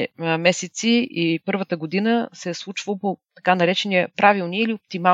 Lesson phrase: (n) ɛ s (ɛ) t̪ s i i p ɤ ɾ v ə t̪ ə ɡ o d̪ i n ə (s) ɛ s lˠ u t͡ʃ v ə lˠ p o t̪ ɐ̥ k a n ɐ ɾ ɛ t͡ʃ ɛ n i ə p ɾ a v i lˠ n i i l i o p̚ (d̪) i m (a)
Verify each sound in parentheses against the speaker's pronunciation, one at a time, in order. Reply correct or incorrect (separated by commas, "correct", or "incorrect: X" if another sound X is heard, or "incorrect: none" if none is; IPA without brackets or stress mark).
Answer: incorrect: m, correct, correct, incorrect: t̪, correct